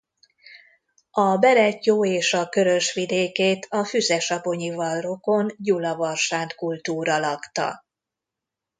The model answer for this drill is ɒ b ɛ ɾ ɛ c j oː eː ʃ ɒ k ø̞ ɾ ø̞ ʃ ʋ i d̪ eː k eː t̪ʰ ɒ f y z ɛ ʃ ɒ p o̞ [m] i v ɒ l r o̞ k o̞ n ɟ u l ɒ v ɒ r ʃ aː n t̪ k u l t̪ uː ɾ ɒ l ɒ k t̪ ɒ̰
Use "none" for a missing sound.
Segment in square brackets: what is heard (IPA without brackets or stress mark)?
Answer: ɲ